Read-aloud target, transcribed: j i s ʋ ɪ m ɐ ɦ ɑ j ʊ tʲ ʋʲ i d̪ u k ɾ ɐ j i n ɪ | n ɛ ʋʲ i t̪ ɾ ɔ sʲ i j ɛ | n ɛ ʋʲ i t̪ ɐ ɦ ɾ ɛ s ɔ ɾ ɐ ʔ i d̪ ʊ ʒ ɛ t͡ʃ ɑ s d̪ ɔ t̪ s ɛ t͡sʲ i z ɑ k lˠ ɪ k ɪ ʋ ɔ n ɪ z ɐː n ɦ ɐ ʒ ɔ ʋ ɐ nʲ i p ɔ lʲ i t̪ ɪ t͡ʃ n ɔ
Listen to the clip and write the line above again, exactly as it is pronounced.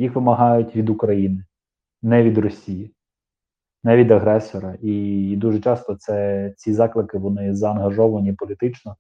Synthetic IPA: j i x ʋ ɪ m ɐ ɦ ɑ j ʊ tʲ ʋʲ i d̪ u k ɾ ɐ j i n ɪ | n ɛ ʋʲ i d̪ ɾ ɔ sʲ i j i | n ɛ ʋʲ i d̪ ɐ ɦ ɾ ɛ s ɔ ɾ ɐ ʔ i d̪ u ʒ ɛ t͡ʃ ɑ s t̪ ɔ t̪ s ɛ t͡sʲ i z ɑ k lˠ ɪ k ɪ ʋ ɔ n ɪ z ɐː n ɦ ɐ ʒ ɔ ʋ ɐ nʲ i p ɔ lʲ i t̪ ɪ t͡ʃ n ɔ